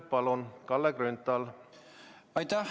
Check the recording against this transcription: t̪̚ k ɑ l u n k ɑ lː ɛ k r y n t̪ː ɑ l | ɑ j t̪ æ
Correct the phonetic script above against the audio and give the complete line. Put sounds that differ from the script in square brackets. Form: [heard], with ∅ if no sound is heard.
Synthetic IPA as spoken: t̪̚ [p] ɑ l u n k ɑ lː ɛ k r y n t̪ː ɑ l | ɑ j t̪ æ